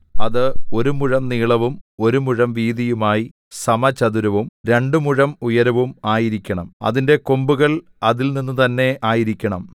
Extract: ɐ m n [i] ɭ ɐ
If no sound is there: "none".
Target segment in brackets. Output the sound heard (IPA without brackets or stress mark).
iː